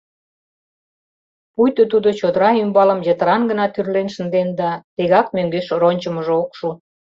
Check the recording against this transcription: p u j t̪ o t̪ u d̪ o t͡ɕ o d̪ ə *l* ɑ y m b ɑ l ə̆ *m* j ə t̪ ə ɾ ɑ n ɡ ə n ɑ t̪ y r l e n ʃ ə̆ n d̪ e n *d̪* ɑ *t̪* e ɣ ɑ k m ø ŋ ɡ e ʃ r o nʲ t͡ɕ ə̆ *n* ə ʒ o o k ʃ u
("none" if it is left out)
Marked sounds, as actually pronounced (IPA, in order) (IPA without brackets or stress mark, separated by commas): ɾ, m, d̪, t̪, m